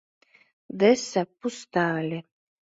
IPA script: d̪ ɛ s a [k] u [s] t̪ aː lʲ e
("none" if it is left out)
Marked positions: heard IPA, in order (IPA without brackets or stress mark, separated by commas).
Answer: p, s